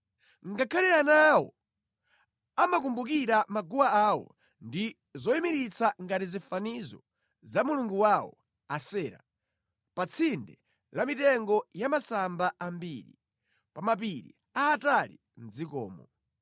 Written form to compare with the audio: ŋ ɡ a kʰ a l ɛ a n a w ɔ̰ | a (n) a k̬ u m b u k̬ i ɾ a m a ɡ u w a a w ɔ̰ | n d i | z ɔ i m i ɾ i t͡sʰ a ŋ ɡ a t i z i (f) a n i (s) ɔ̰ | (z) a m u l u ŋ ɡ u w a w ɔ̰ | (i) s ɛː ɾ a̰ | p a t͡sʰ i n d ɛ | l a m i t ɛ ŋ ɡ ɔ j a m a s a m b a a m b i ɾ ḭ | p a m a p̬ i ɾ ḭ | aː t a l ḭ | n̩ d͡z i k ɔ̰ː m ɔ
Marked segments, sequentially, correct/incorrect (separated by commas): incorrect, correct, incorrect, correct, incorrect